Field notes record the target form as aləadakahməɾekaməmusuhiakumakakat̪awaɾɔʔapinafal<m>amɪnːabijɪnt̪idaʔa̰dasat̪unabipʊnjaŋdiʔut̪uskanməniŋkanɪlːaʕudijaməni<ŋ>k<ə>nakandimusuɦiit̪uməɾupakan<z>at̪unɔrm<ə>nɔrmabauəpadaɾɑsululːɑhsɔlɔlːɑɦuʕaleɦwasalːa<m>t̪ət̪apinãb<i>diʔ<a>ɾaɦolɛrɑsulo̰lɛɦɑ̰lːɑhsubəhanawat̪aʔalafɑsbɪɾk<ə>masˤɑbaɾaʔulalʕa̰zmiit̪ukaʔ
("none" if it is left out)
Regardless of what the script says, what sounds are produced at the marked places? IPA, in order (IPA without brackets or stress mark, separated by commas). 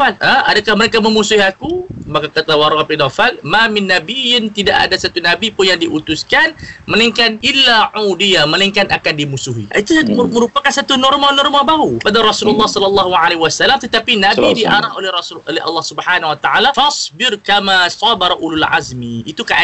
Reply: m, ŋ, a, s, a, m, i, a, a